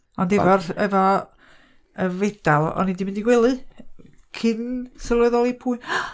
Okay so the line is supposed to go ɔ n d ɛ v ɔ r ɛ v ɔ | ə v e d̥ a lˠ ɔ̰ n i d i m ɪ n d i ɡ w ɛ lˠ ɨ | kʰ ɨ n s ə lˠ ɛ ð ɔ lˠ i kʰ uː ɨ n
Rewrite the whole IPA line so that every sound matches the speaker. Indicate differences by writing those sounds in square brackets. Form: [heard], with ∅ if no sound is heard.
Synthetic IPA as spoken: ɔ n d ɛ v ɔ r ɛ v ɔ | ə v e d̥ a lˠ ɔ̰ n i d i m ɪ n d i ɡ w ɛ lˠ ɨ | kʰ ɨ n s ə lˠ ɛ ð ɔ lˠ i [pʰ] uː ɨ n